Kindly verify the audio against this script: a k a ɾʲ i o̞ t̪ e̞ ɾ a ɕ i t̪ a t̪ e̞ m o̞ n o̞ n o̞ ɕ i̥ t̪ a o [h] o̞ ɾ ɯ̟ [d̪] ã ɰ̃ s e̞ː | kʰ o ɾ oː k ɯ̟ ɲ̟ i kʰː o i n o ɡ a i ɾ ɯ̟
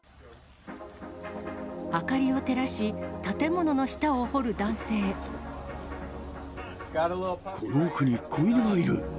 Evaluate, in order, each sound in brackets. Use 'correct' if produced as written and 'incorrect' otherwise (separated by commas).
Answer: correct, correct